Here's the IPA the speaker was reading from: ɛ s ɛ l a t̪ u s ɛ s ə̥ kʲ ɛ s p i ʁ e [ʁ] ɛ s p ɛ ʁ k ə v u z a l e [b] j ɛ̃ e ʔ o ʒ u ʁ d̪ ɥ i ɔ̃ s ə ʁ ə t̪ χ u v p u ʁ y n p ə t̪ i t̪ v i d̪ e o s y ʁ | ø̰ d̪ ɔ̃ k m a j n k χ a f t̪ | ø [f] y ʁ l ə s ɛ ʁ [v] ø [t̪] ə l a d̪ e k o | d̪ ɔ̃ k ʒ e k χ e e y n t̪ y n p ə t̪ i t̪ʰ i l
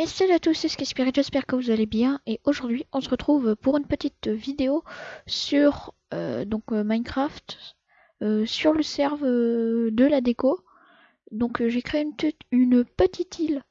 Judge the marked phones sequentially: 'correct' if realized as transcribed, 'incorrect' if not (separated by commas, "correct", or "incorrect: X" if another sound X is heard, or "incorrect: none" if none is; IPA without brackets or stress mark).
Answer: incorrect: ʒ, correct, incorrect: s, correct, incorrect: d̪